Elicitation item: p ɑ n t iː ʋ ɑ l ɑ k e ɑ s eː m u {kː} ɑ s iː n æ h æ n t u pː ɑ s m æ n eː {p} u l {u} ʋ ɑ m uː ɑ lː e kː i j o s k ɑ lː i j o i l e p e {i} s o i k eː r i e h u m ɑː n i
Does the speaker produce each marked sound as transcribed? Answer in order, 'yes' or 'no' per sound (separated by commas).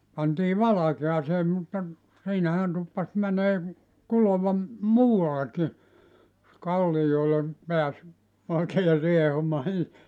no, no, no, no